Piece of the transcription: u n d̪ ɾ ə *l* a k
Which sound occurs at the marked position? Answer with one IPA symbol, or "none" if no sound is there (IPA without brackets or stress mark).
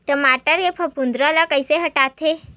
l